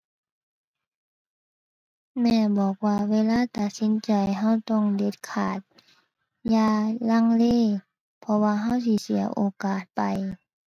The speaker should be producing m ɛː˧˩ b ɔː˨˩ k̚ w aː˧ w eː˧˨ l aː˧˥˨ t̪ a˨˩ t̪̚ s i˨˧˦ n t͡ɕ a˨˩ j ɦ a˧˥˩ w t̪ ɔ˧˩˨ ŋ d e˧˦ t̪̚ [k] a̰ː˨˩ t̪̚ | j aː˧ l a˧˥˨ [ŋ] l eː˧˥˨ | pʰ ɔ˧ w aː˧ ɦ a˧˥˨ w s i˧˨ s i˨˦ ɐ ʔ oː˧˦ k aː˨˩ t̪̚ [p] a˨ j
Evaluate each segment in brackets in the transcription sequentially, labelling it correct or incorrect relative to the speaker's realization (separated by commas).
incorrect, correct, correct